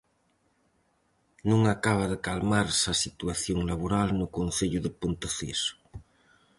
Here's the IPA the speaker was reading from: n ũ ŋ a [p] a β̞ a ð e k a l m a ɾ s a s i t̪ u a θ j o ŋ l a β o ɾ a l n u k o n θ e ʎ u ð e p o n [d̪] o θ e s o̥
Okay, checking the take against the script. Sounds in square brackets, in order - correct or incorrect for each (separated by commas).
incorrect, incorrect